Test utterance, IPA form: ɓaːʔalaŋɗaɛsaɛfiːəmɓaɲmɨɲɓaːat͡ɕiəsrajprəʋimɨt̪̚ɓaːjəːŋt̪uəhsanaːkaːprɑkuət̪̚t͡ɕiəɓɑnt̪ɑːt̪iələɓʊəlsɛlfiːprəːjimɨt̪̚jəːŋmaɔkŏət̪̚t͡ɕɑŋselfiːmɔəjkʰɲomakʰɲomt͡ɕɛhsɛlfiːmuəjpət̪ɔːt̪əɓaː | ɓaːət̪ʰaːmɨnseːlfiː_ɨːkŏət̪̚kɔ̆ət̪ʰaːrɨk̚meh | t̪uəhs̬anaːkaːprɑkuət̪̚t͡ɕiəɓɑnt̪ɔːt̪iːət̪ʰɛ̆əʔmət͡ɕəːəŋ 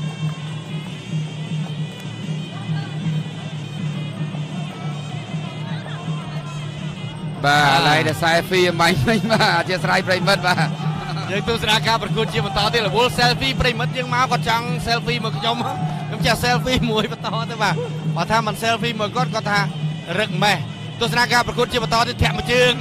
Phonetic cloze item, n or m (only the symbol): m